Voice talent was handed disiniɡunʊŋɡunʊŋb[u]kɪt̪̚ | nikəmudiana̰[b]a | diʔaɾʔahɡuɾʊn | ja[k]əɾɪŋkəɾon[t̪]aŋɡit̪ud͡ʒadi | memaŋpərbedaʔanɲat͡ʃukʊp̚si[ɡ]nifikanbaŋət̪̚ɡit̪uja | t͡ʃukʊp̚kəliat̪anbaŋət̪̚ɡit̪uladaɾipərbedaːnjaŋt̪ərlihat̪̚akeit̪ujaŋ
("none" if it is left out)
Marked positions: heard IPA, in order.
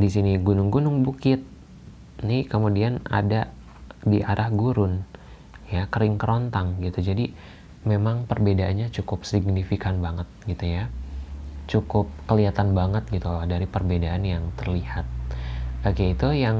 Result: u, d, k, t̪, ɡ

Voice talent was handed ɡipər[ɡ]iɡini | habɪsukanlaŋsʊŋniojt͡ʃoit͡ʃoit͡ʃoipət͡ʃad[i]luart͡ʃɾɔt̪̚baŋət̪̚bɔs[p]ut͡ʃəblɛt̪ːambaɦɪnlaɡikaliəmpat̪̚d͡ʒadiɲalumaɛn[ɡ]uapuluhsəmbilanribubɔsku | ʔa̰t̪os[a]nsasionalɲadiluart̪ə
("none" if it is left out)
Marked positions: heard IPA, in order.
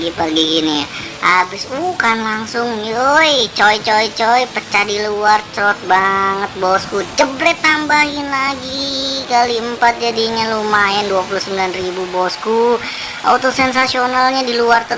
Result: ɡ, i, k, d, ɛ

